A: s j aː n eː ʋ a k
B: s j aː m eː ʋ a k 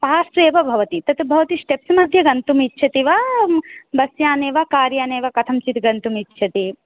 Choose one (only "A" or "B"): A